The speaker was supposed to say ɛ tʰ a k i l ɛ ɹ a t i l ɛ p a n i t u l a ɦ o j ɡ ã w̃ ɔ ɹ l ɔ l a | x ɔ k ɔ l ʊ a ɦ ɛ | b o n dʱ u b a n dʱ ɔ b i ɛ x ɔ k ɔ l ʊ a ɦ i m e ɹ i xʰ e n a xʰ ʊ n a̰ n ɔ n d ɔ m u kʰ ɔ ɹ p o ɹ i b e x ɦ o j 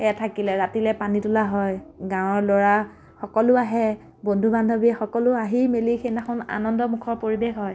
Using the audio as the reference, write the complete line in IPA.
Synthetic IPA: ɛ tʰ a k i l ɛ ɹ a t i l ɛ p a n i t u l a ɦ ɔ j ɡ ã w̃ ɔ ɹ l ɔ ɹ a | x ɔ k ɔ l ʊ a ɦ ɛ | b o n dʱ u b a n dʱ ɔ b i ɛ x ɔ k ɔ l ʊ a ɦ i m e l i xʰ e n a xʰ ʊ n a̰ n ɔ n d ɔ m u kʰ ɔ ɹ p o ɹ i b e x ɦ ɔ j